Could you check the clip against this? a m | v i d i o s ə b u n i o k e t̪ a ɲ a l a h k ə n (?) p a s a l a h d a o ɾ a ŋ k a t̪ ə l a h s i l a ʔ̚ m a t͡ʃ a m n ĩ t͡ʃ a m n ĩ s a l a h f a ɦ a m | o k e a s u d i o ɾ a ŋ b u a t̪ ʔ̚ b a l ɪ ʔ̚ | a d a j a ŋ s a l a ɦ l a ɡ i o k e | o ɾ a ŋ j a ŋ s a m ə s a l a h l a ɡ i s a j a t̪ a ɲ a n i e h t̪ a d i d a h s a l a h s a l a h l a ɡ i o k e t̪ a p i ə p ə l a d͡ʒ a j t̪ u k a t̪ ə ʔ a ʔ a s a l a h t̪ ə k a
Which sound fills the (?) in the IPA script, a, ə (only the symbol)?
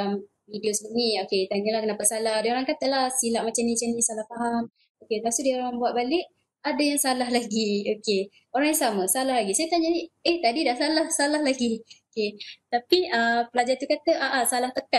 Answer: a